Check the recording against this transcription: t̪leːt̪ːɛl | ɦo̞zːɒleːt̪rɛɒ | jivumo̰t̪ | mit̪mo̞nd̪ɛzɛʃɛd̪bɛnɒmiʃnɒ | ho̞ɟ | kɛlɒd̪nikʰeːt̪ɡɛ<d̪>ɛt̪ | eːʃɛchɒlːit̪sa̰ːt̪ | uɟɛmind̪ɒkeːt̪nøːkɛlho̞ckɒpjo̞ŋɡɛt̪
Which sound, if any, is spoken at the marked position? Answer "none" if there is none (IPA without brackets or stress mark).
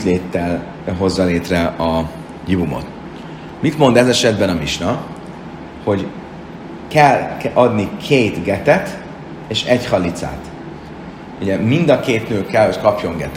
t̪